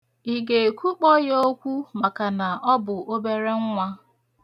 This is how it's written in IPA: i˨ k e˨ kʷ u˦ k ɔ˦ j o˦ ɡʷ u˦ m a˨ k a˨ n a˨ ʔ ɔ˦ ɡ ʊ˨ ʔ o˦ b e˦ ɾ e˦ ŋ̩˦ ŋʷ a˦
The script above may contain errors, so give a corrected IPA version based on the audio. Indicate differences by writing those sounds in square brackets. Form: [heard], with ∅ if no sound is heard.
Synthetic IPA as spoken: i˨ [ɡ] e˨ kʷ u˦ [k͡p] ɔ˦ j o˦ [kʷ] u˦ m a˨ k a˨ n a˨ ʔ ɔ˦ [b] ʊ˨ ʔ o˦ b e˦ ɾ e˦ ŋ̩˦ ŋʷ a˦